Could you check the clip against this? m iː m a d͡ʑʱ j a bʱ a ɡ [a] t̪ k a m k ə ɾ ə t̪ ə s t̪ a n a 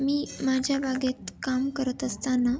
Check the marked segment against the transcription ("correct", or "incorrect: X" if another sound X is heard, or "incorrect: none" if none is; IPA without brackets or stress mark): incorrect: e